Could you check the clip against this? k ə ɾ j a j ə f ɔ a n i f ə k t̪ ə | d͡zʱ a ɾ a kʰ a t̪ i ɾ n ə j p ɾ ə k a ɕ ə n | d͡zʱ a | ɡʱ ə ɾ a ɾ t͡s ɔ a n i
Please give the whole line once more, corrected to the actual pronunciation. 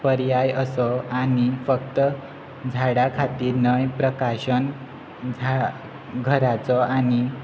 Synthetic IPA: p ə ɾ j a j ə s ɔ a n i f ə k t̪ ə | d͡zʱ a ɽ a kʰ a t̪ iː ɾ n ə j p ɾ ə k a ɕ ə n | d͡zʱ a | ɡʱ ə ɾ a t͡s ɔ a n i